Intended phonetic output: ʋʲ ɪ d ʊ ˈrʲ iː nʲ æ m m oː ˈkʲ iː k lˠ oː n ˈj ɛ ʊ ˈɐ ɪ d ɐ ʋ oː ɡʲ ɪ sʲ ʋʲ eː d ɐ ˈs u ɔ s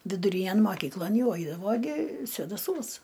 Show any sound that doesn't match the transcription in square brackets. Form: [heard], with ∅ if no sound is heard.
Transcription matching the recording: ʋʲ ɪ d ʊ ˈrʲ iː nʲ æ [n] m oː ˈkʲ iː k lˠ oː n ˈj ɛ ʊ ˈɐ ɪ d ɐ ʋ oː ɡʲ ɪ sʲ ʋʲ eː d ɐ ˈs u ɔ s